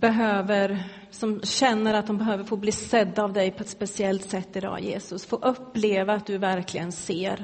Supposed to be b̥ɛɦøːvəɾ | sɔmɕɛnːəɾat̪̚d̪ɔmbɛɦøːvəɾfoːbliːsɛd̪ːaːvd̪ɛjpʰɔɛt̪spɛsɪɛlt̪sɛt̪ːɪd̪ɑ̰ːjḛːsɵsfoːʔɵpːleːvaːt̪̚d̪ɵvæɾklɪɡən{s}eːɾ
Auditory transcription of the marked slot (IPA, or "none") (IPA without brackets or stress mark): s